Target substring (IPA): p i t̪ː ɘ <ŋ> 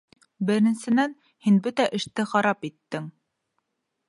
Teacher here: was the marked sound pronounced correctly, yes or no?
yes